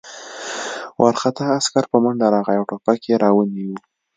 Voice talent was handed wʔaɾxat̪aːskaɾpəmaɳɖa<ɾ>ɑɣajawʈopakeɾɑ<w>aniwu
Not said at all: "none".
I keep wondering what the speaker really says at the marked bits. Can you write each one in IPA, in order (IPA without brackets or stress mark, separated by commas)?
ɾ, w